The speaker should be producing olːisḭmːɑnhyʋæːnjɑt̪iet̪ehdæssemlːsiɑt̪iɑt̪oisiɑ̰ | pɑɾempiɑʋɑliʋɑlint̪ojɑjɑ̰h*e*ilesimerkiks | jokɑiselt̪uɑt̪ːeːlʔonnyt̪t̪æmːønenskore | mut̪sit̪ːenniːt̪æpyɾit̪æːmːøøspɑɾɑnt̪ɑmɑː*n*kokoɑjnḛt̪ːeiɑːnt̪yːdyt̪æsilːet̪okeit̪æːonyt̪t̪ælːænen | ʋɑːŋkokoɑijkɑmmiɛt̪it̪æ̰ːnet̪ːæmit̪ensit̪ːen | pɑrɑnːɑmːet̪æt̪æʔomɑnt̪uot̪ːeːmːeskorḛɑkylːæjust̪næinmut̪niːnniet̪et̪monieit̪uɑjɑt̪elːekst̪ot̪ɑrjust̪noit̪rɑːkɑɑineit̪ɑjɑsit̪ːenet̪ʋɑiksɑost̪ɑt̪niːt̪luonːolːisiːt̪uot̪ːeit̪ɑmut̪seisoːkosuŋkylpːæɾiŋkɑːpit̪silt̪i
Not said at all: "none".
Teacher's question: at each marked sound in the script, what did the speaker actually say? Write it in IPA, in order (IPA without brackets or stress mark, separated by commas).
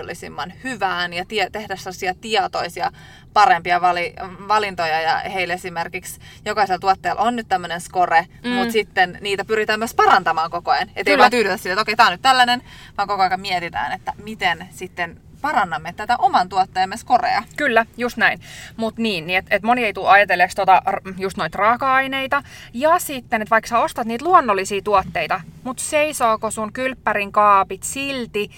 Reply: e, ŋ